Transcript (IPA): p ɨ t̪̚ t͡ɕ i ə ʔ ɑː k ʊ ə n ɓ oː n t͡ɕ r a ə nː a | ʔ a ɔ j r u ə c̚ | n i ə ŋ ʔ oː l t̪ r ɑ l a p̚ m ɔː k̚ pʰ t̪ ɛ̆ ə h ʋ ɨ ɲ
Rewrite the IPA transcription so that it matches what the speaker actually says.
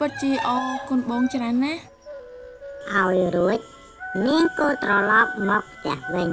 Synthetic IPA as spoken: p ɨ t̪̚ t͡ɕ i ə ʔ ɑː k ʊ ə n ɓ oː ŋ t͡ɕ r a ə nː a | ʔ a ɔ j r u ə c̚ | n i ə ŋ k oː l t̪ r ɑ l ɑ p̚ m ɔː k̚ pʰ t̪ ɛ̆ ə h ʋ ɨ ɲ